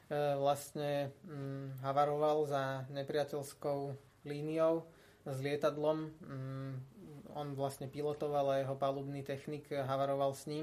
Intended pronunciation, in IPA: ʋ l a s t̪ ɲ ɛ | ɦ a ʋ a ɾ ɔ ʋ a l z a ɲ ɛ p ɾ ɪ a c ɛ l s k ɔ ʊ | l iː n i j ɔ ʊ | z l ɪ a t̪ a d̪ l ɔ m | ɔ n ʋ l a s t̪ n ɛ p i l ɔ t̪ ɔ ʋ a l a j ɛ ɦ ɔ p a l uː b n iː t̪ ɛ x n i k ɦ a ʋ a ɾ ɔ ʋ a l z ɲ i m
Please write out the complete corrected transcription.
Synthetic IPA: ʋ l a s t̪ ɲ ɛ | ɦ a ʋ a ɾ ɔ ʋ a l z a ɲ ɛ p ɾ ɪ a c ɛ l s k ɔ ʊ | l iː n i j ɔ ʊ | z l ɪ ɛ t̪ a d̪ l ɔ m | ɔ n ʋ l a s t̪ ɲ ɛ p i l ɔ t̪ ɔ ʋ a l a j ɛ ɦ ɔ p a l uː b n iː t̪ ɛ x n i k ɦ a ʋ a ɾ ɔ ʋ a l s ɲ i m